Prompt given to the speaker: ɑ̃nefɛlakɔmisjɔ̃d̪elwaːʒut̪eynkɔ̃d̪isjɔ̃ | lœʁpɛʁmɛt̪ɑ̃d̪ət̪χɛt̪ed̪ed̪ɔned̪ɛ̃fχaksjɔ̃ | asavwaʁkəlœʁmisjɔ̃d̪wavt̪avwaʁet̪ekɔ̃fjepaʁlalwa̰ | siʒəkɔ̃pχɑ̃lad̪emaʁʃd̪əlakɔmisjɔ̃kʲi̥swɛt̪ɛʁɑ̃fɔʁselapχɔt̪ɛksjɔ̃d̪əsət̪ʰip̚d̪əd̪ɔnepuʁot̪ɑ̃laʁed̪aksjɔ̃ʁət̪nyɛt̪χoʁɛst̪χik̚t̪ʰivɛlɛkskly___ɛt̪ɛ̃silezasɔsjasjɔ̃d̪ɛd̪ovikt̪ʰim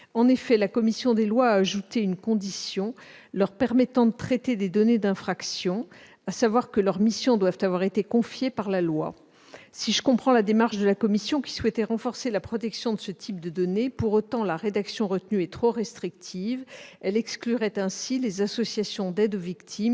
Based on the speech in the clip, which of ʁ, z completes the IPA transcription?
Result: ʁ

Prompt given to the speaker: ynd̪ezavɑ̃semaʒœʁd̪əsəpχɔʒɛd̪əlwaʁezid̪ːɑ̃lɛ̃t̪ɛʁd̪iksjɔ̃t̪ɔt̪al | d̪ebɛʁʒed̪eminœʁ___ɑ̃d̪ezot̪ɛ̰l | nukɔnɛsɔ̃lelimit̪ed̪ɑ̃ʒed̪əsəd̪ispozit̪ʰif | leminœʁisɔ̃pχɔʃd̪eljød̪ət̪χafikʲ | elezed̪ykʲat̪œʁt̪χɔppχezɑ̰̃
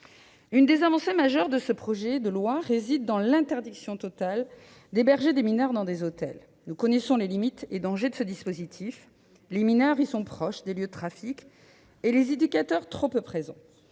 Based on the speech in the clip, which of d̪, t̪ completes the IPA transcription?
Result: d̪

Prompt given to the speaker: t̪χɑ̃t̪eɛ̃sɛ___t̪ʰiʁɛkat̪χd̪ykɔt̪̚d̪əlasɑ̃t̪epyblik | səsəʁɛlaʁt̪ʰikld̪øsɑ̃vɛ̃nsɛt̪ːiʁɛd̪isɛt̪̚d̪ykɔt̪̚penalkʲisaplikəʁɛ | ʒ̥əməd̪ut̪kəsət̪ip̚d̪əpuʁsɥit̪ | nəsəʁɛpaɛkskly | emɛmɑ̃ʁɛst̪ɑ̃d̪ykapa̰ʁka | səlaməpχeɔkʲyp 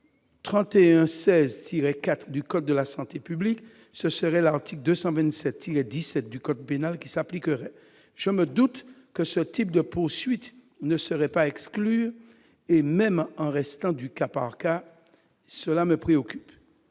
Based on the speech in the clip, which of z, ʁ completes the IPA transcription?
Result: z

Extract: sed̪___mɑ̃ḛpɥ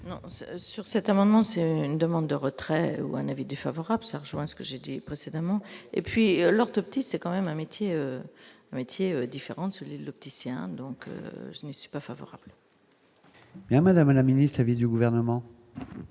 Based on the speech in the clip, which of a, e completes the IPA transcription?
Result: a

